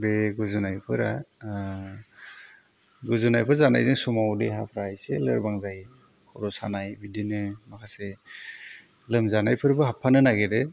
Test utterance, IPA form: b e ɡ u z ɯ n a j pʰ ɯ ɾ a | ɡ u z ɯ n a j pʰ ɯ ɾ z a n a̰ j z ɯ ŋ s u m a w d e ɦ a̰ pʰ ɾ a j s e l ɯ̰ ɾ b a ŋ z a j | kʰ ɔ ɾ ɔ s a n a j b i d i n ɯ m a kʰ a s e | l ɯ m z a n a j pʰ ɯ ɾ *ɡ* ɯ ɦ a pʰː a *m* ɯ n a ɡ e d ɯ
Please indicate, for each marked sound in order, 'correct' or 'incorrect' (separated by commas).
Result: incorrect, incorrect